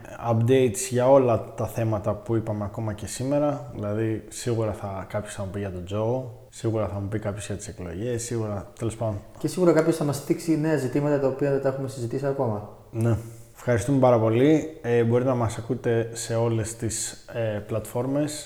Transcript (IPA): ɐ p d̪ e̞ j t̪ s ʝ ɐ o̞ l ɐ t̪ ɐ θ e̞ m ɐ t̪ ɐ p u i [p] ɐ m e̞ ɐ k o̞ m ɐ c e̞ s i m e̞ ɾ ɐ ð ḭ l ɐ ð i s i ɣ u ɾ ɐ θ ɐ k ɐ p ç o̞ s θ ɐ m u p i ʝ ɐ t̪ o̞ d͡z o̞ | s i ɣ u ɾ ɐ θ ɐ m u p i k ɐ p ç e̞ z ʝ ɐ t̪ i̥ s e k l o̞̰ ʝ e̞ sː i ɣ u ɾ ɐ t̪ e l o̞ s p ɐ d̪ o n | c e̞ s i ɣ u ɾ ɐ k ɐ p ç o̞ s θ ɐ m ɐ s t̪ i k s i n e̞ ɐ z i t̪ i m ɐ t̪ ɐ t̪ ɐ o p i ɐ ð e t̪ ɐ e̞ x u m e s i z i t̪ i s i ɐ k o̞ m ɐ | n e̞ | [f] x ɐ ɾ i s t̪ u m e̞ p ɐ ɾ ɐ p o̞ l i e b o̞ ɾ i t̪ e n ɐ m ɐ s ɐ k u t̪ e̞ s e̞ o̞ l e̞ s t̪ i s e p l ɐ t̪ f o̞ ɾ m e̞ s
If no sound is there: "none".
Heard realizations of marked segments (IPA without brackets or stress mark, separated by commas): p, f